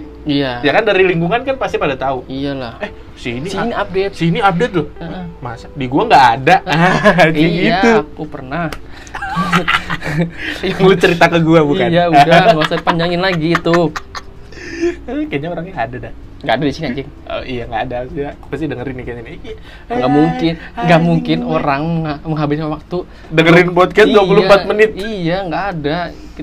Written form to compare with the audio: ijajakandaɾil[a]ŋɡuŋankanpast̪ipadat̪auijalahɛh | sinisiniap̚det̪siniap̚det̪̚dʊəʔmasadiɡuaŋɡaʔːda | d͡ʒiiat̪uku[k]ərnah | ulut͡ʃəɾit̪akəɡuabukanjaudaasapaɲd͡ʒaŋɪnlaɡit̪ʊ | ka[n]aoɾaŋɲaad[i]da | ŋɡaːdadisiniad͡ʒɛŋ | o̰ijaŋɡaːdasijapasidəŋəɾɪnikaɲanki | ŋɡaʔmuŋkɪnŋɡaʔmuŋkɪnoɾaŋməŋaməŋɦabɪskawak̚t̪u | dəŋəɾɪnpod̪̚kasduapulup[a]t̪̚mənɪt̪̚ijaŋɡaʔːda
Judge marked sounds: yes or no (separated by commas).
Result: no, no, no, no, yes